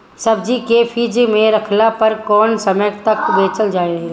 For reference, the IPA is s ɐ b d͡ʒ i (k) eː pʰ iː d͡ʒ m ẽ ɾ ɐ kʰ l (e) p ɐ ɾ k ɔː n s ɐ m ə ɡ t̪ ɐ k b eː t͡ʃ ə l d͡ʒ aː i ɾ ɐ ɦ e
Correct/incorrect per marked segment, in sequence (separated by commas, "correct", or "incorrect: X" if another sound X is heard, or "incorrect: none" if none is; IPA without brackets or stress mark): correct, incorrect: a